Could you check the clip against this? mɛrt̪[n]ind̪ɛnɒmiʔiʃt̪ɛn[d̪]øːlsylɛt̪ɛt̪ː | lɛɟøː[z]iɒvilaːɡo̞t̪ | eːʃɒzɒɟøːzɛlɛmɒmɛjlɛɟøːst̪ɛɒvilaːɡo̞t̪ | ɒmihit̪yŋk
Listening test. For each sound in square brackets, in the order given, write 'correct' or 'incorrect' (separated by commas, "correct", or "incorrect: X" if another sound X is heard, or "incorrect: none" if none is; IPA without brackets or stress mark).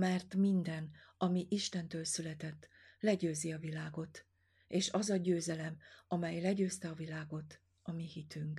incorrect: m, incorrect: t̪, correct